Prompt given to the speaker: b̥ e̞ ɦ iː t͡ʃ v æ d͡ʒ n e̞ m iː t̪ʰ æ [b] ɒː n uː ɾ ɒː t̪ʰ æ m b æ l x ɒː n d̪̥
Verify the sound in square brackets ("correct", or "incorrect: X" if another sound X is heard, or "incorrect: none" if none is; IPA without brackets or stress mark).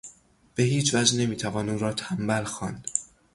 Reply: incorrect: v